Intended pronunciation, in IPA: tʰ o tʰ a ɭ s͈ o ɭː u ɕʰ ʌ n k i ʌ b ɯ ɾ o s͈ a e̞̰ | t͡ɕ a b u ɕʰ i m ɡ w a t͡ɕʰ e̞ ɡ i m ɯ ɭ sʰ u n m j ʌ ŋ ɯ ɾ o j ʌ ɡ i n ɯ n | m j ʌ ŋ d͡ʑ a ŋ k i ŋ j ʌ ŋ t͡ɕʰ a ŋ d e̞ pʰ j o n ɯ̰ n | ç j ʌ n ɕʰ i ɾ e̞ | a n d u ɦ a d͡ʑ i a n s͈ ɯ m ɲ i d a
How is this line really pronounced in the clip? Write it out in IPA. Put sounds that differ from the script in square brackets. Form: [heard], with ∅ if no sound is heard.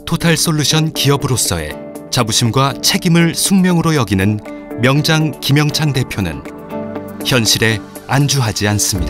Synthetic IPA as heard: tʰ o tʰ a ɭ s͈ o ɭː u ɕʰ ʌ n k i ʌ b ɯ ɾ o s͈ [ʌ] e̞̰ | t͡ɕ a b u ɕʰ i m ɡ w a t͡ɕʰ e̞ ɡ i m ɯ ɭ sʰ u [ŋ] m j ʌ ŋ ɯ ɾ o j ʌ ɡ i n ɯ n | m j ʌ ŋ d͡ʑ a ŋ k i [m] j ʌ ŋ t͡ɕʰ a ŋ d e̞ pʰ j o n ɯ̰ n | ç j ʌ n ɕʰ i ɾ e̞ | a n [d͡ʑ] u ɦ a d͡ʑ i a n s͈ ɯ m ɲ i d a